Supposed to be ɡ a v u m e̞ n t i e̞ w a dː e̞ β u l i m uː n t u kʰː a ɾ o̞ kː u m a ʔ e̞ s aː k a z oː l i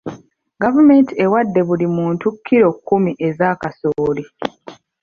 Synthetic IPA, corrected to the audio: ɡ a v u m e̞ n t i e̞ w a dː e̞ β u l i m uː n t u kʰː i ɾ o̞ kː u m i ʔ e̞ z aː k a s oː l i